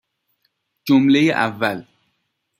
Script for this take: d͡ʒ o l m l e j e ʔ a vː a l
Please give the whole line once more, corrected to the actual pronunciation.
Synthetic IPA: d͡ʒ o m l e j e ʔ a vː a l